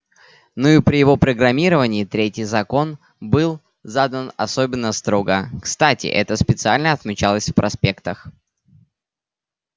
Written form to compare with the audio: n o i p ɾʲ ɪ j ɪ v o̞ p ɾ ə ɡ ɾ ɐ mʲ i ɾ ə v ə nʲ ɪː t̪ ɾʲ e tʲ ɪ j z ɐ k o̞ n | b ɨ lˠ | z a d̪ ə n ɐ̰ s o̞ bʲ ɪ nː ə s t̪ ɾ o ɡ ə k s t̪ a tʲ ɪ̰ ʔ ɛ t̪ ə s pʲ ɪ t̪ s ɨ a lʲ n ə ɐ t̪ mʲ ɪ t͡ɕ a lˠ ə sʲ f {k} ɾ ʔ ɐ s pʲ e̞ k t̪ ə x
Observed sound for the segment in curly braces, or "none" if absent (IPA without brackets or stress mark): p